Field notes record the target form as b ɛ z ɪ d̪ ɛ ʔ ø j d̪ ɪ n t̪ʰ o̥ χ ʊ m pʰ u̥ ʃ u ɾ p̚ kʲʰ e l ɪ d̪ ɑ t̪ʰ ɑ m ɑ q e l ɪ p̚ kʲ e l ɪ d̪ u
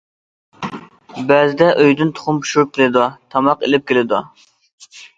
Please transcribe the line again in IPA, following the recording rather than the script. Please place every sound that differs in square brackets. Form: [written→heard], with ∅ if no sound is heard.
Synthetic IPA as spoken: b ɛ z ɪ d̪ ɛ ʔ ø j d̪ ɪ n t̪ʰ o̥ χ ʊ m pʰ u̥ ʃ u ɾ p̚ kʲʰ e l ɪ d̪ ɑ t̪ʰ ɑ m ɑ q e l ɪ p̚ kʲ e l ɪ d̪ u